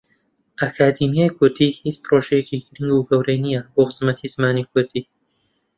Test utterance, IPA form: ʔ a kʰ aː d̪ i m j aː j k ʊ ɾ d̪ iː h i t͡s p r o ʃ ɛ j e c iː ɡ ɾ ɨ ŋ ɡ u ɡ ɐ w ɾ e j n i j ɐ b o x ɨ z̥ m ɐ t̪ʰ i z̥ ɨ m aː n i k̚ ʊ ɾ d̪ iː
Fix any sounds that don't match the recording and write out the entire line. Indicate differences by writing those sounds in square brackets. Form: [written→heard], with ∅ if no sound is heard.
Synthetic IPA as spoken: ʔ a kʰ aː d̪ i m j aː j k ʊ ɾ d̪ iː h i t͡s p r o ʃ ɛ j e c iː ɡ ɾ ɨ ŋ ɡ u ɡ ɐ w ɾ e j n i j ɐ b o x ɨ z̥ m ɐ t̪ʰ i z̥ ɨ m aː n i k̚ ʊ ɾ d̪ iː